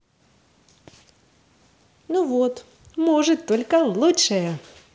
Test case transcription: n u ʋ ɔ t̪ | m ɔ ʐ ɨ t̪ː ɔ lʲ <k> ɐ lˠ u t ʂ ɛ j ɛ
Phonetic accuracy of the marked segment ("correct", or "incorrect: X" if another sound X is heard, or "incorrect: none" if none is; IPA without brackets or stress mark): correct